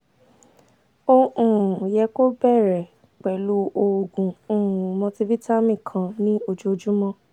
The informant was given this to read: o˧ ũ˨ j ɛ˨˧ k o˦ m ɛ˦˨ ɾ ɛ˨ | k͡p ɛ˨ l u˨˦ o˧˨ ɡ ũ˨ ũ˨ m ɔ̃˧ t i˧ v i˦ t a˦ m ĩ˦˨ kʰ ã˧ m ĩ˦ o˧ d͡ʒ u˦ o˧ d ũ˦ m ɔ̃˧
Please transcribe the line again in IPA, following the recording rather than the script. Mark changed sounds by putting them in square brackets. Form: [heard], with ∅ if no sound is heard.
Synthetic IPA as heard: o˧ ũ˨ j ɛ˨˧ k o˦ [b] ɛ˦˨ ɾ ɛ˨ | k͡p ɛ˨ l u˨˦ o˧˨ ɡ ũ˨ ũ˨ m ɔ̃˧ t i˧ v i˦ t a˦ m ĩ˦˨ kʰ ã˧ [n] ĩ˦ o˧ d͡ʒ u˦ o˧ [d͡ʒ] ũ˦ m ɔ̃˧

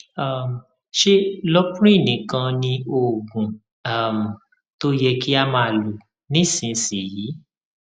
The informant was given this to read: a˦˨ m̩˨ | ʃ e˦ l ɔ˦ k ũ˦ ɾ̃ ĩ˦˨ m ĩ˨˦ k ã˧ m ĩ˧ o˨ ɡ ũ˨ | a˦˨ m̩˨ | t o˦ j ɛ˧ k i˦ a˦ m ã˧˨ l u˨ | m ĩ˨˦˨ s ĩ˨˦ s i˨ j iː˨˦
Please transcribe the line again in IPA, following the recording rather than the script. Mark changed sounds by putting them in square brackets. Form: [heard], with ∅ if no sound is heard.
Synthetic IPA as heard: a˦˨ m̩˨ | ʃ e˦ l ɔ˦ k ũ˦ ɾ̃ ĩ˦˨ [n] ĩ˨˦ k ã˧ [n] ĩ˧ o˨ ɡ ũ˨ | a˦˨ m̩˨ | t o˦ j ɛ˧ k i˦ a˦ m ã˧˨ l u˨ | [n] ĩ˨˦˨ s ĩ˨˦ s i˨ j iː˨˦

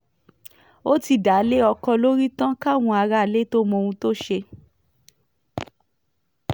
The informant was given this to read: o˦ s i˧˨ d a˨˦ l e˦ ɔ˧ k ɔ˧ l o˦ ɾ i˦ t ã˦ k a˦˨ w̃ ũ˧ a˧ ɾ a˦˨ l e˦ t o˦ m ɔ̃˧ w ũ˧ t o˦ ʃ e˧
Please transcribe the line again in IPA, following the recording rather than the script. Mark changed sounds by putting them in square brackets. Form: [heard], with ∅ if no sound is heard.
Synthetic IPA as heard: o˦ [t] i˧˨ d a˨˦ l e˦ ɔ˧ k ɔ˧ l o˦ ɾ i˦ t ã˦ k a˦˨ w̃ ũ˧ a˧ ɾ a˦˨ l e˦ t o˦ m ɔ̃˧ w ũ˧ t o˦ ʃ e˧

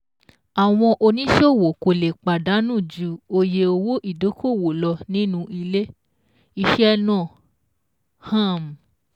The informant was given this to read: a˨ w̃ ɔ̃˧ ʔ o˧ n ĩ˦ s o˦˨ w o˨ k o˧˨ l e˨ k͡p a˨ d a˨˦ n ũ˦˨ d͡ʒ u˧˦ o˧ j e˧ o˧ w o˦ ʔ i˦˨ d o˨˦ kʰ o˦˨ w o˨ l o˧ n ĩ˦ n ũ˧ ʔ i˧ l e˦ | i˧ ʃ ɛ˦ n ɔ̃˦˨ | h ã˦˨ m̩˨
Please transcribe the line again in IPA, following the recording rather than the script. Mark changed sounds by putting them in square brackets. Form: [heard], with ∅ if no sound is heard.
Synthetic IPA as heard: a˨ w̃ ɔ̃˧ ʔ o˧ n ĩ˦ [ʃ] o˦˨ w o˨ k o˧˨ l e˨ k͡p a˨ d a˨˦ n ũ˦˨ d͡ʒ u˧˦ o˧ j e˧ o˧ w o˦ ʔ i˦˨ d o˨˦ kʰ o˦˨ w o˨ l [ɔ˧] n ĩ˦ n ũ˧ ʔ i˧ l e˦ | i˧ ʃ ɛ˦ n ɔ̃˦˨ | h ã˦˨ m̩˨

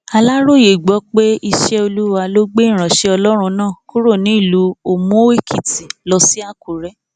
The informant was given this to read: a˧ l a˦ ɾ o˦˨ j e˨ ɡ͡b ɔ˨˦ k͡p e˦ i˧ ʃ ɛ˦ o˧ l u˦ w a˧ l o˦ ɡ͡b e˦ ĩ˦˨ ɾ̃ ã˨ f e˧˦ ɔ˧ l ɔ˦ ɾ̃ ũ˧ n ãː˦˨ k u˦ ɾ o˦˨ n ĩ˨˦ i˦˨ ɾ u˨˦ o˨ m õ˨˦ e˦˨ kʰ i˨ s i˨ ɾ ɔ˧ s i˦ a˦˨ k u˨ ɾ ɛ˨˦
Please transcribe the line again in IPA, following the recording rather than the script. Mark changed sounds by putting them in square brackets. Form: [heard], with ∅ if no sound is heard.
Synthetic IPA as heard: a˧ l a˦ ɾ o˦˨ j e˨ ɡ͡b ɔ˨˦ k͡p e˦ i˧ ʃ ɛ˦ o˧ l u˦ w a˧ l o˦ ɡ͡b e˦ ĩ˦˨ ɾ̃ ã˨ [ʃ] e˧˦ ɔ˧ l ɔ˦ ɾ̃ ũ˧ n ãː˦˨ k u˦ ɾ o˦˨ n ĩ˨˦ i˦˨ [l] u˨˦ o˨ m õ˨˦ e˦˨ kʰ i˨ [t] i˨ [l] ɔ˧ s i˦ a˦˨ k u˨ ɾ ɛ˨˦

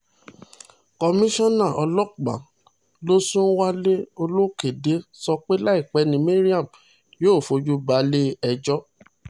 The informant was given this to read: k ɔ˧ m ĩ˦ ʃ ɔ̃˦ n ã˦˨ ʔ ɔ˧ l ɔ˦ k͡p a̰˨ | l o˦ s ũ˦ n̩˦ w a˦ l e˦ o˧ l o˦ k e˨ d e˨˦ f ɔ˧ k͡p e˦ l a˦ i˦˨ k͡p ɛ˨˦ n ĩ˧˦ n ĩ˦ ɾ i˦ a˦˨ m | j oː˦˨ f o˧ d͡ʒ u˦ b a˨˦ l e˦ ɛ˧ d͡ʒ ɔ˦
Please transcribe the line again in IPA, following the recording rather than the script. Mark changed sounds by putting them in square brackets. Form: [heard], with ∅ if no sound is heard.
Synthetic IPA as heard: k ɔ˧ m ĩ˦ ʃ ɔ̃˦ n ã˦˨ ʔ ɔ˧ l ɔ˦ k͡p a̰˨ | l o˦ s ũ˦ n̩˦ w a˦ l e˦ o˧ l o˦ k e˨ d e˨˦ [s] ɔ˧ k͡p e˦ l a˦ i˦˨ k͡p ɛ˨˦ n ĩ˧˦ [m] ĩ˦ ɾ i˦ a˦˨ m | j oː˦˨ f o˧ d͡ʒ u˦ b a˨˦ l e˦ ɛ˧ d͡ʒ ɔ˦

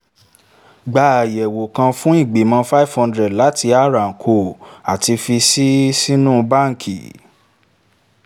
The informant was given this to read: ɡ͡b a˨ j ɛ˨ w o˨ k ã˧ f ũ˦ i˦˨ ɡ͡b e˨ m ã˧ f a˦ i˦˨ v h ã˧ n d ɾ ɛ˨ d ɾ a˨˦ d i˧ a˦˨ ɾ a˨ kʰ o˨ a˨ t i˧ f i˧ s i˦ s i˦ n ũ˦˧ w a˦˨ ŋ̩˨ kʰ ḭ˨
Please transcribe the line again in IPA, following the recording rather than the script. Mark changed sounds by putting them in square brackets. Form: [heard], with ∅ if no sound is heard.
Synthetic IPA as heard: ɡ͡b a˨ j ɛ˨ w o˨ k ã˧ f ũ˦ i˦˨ ɡ͡b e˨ m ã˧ f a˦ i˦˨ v h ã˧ n d ɾ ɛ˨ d [l] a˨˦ [t] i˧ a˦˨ ɾ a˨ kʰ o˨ a˨ t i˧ f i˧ s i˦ s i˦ n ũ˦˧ [b] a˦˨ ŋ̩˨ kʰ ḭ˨

